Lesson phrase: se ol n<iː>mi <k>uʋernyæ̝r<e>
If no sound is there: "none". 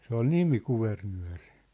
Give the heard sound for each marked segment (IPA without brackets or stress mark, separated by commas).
i, k, i